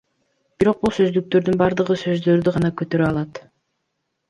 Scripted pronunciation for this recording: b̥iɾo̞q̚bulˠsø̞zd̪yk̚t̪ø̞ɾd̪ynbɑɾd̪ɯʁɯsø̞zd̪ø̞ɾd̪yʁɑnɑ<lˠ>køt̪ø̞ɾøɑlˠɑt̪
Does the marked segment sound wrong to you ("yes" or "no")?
yes